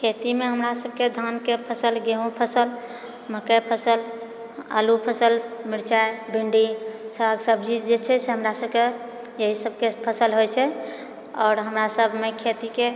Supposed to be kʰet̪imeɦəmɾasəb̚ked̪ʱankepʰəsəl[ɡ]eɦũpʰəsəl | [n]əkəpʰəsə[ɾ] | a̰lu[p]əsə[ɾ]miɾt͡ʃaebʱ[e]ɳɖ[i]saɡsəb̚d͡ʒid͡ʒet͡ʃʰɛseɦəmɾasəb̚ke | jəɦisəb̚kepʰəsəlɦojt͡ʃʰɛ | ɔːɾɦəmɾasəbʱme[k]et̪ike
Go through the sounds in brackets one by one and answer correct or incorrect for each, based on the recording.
correct, incorrect: m, incorrect: l, incorrect: pʰ, incorrect: l, incorrect: i, correct, incorrect: kʰ

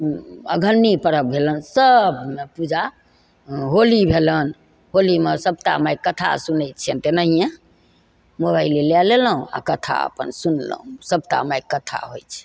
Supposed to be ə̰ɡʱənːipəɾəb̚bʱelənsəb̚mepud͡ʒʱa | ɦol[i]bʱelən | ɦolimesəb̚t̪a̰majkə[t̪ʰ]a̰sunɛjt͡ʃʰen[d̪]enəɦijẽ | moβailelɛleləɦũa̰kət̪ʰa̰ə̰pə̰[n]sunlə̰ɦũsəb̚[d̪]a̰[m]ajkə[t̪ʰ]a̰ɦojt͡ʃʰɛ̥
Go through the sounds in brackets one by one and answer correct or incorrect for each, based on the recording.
correct, correct, incorrect: t̪, correct, incorrect: t̪, correct, correct

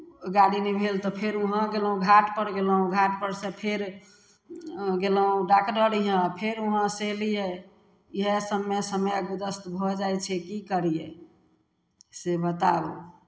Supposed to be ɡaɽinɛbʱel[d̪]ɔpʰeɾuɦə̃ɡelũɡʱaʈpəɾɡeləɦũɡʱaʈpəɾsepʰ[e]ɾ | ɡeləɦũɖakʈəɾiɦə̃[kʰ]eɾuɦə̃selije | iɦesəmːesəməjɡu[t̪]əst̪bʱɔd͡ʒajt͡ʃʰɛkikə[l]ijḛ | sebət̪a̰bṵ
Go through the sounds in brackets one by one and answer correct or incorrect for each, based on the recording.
incorrect: t̪, correct, incorrect: pʰ, incorrect: d̪, incorrect: ɾ

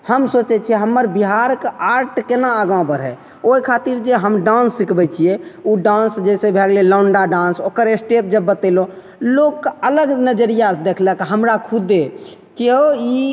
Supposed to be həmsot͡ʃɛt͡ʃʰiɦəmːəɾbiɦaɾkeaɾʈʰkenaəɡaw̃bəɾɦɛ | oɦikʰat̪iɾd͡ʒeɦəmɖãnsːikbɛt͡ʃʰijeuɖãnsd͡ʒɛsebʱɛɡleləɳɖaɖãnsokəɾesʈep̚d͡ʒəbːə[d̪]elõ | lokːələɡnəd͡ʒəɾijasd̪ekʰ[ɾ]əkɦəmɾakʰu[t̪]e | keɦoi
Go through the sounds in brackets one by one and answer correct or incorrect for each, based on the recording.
incorrect: t̪, incorrect: l, incorrect: d̪

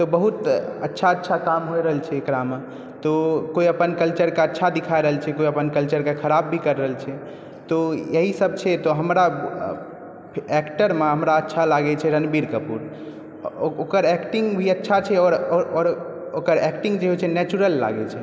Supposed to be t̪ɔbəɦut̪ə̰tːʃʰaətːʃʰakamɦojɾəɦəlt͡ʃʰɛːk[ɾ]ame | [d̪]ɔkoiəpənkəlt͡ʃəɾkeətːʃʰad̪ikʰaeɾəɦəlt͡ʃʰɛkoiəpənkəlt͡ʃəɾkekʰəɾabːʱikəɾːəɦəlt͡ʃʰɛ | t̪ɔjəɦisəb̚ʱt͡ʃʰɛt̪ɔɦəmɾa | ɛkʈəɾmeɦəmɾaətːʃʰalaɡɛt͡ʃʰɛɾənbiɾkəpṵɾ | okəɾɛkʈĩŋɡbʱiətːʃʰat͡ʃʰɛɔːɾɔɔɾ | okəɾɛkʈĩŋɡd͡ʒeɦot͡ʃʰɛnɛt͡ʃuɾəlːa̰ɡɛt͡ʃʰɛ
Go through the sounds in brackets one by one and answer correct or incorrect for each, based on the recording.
correct, incorrect: t̪

